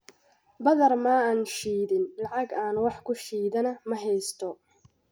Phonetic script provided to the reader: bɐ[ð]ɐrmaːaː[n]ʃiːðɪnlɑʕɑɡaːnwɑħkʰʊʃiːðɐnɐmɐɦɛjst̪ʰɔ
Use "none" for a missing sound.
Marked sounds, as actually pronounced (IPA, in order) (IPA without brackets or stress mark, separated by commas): ð, n